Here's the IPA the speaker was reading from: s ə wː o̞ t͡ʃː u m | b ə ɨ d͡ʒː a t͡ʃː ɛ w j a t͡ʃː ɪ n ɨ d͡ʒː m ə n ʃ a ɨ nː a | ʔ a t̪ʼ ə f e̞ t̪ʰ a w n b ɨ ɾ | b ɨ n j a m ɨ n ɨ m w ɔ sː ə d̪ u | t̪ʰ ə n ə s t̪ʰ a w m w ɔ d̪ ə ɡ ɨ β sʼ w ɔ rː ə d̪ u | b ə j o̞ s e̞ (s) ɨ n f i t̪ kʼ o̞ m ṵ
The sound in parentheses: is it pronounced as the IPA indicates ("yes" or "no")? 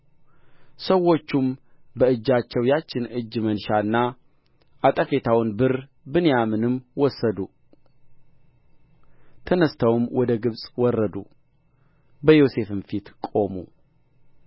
no